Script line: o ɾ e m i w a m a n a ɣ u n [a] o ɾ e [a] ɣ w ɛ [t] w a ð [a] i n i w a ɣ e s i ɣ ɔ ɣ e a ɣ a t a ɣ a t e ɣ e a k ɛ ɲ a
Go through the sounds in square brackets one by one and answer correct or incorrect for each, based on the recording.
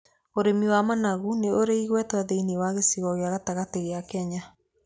incorrect, incorrect, correct, incorrect

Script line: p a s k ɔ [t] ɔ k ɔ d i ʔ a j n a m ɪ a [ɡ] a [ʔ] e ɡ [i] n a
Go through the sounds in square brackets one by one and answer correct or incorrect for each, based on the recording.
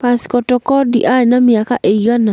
correct, incorrect, correct, incorrect

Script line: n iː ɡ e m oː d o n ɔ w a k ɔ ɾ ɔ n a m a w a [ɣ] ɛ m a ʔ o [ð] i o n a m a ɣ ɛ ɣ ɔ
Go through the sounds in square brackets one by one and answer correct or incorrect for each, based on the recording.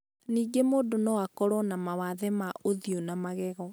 incorrect, correct

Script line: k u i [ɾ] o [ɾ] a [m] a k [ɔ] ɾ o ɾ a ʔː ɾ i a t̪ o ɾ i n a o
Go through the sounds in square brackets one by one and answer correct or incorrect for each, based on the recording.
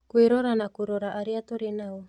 correct, correct, incorrect, incorrect

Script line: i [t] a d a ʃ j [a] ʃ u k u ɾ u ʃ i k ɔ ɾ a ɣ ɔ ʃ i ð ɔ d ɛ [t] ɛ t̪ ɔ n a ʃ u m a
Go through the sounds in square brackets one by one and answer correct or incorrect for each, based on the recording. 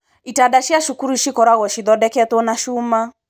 correct, correct, incorrect

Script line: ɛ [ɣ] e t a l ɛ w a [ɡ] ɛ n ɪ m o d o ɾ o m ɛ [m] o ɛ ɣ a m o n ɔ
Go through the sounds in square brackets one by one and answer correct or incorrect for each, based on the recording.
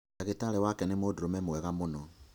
correct, incorrect, correct

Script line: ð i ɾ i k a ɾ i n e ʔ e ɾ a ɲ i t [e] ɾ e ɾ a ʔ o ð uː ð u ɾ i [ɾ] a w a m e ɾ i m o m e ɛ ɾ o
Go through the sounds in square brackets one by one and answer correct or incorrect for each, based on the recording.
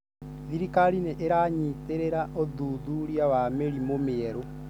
correct, incorrect

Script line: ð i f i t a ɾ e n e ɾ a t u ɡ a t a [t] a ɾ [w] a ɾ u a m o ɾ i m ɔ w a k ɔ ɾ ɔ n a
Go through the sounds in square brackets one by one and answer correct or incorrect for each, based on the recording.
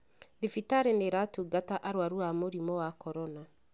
incorrect, correct

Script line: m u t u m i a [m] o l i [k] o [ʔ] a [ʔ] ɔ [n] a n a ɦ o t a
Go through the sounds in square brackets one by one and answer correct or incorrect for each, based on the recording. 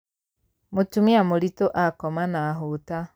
correct, incorrect, correct, incorrect, incorrect

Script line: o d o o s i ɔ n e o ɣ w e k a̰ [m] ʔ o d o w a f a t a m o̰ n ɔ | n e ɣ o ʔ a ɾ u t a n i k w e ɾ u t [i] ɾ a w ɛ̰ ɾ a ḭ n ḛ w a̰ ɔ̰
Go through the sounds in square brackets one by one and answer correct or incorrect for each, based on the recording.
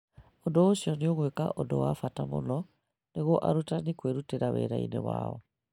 incorrect, incorrect

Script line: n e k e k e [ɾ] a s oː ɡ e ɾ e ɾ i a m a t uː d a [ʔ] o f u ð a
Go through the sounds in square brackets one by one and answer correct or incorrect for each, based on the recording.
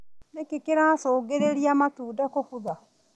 correct, incorrect

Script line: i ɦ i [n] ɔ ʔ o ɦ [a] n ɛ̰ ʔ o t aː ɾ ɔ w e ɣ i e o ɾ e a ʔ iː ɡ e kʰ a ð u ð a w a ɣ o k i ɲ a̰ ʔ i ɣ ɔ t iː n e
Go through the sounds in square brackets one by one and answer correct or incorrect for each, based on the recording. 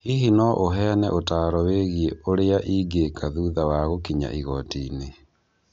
correct, incorrect

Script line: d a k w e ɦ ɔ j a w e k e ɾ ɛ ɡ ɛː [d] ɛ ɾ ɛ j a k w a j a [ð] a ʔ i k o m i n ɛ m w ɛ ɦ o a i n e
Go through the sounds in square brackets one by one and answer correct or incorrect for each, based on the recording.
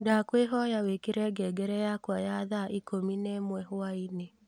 incorrect, correct

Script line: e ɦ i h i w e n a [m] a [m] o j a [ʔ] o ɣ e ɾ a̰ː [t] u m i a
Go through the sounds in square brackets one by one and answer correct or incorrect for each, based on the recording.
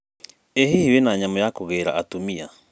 incorrect, correct, incorrect, correct

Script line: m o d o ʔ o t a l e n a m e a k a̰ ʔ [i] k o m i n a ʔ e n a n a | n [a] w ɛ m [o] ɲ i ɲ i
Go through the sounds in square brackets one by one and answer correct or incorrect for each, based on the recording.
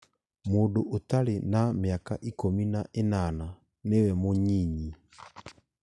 correct, incorrect, correct

